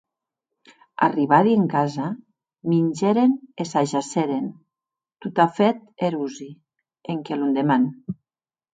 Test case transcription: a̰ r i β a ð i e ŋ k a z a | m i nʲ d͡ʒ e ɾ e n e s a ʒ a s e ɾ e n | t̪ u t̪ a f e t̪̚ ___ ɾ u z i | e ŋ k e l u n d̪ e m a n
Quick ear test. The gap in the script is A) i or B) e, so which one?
B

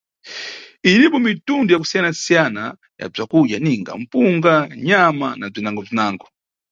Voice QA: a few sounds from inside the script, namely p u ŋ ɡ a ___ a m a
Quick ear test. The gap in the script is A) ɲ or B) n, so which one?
A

